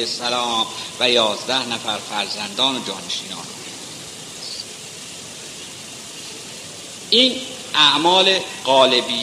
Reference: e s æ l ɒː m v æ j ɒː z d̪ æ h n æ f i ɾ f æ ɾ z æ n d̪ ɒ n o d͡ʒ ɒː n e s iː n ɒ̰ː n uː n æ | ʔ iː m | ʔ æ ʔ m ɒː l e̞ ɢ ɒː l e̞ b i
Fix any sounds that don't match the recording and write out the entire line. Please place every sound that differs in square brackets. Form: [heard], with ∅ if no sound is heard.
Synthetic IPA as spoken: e s æ l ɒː m v æ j ɒː z d̪ æ h n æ f [æ] ɾ f æ ɾ z æ n d̪ [ɒː] n o d͡ʒ ɒː n e [ʃ] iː n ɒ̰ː n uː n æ | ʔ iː [n] | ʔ æ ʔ m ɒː l e̞ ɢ ɒː l e̞ b i